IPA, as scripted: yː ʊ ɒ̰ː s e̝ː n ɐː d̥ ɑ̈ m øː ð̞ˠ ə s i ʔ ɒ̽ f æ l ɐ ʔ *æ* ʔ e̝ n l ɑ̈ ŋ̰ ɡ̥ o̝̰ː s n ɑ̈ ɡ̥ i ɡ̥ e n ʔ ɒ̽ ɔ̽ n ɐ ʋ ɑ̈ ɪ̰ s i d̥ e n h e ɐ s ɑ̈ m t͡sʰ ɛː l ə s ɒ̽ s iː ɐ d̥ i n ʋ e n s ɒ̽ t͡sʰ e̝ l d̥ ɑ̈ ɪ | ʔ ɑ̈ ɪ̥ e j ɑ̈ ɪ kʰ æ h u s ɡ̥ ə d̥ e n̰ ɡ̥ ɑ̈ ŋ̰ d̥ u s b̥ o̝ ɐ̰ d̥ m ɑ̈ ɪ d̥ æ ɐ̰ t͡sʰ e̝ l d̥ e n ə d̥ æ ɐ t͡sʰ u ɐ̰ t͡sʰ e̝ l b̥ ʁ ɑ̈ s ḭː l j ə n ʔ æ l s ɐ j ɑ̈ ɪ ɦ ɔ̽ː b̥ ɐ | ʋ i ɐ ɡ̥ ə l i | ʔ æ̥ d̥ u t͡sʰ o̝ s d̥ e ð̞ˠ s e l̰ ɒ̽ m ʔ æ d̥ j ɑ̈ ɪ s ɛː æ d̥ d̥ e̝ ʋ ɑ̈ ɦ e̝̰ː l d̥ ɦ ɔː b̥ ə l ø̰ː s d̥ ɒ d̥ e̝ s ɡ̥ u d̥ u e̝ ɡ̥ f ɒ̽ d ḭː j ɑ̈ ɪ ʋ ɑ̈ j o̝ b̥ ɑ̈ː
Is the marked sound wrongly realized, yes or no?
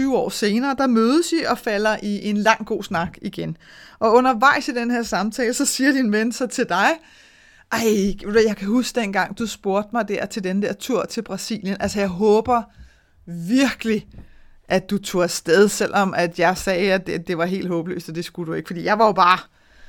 yes